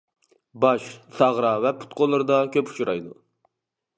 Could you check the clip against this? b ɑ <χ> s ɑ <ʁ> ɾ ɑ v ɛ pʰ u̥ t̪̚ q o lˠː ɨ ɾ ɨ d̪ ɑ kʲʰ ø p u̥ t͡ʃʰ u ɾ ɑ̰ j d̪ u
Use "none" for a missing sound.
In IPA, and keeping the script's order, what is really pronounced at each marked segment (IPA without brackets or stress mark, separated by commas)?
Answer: ʃ, ʁ